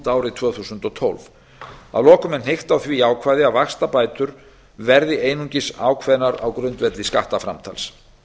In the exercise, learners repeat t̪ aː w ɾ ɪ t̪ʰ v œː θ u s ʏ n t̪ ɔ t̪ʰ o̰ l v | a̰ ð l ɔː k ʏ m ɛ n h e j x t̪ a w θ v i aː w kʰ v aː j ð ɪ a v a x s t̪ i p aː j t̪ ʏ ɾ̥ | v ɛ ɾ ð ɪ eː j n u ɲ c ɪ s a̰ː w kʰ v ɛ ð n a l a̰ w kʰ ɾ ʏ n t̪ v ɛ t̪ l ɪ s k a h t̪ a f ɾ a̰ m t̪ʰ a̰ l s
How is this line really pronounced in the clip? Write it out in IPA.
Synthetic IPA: t̪ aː w ɾ ɪ t̪ʰ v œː θ u s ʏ n t̪ ɔ t̪ʰ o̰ l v | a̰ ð l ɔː k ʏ m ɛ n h e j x t̪ a w θ v i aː w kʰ v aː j ð ɪ a v a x s t̪ a p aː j t̪ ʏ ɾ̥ | v ɛ ɾ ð ɪ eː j n u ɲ c ɪ s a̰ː w kʰ v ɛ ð n a ɾ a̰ w k ɾ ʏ n t̪ v ɛ t̪ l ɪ s k a h t̪ a f ɾ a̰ m t̪ʰ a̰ l s